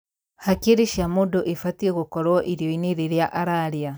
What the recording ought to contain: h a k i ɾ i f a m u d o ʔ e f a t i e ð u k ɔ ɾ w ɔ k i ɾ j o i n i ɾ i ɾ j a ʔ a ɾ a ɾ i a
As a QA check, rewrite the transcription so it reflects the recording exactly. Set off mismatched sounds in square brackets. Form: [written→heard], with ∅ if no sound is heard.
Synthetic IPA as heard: h a k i ɾ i [f→ʃ] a m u d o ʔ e f a t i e [ð→ɣ] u k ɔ ɾ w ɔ [k→ʔ] i ɾ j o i n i ɾ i ɾ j a ʔ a ɾ a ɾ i a